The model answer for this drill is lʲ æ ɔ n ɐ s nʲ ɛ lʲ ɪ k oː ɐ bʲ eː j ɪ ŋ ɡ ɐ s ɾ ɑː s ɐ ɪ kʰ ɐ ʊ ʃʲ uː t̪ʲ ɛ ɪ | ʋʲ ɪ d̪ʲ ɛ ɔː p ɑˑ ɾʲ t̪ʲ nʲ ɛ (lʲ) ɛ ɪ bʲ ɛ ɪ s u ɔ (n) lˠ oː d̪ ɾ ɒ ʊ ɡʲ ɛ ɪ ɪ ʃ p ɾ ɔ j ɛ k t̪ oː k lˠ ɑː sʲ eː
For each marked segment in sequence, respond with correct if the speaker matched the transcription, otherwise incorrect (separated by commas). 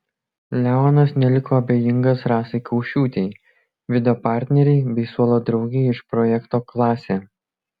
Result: incorrect, incorrect